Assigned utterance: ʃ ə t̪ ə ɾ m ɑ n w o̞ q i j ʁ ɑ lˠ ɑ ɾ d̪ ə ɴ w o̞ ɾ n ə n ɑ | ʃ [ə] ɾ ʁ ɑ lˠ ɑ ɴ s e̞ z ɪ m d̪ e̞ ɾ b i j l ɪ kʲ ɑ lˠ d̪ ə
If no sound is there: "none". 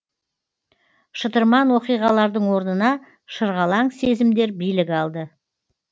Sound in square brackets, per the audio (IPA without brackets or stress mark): ə